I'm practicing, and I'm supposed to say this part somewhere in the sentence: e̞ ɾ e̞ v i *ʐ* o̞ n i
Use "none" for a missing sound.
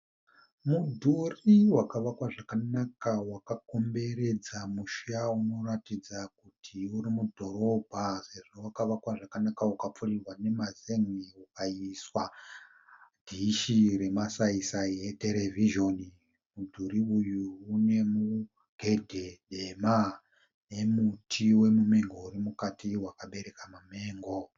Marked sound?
ʒ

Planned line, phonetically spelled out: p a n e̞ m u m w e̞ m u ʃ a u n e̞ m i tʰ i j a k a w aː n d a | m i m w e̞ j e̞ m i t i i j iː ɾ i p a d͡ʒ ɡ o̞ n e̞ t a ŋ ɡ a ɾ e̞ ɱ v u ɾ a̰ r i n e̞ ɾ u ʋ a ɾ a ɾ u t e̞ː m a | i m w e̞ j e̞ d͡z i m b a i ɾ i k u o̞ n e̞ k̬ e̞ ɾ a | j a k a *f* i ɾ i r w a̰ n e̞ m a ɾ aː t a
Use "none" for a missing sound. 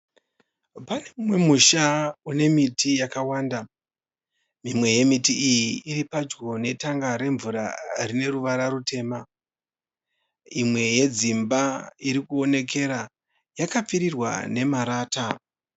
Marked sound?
p͡f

